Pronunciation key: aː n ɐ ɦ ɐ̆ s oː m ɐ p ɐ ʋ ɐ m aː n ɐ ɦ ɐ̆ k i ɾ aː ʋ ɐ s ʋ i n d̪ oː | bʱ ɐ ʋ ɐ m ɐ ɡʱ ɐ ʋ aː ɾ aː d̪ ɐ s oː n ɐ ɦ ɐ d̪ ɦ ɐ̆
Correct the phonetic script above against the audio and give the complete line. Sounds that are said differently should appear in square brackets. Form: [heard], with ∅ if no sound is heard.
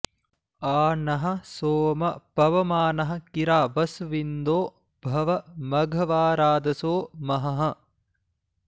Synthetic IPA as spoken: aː n ɐ ɦ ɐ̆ s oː m ɐ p ɐ ʋ ɐ m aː n ɐ ɦ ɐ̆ k i ɾ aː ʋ ɐ s ʋ i n d̪ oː | bʱ ɐ ʋ ɐ m ɐ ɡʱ ɐ ʋ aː ɾ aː d̪ ɐ s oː [m] ɐ ɦ ɐ [∅] ɦ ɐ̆